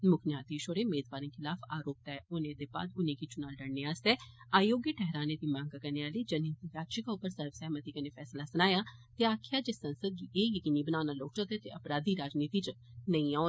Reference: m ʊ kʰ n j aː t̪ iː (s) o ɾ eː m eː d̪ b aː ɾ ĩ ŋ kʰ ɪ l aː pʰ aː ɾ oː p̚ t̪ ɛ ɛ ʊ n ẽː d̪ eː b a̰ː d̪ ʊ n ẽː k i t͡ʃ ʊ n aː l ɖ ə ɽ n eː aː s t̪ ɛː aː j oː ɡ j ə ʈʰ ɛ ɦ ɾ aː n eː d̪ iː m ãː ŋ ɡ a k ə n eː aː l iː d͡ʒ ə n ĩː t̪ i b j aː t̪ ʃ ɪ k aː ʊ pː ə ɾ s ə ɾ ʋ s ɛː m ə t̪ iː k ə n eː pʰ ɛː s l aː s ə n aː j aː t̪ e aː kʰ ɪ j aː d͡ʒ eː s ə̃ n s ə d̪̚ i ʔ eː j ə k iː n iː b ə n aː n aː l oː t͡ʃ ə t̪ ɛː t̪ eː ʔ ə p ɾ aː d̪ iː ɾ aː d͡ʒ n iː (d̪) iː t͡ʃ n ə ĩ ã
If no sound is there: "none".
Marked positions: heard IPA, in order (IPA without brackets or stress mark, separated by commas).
ʃ, t̪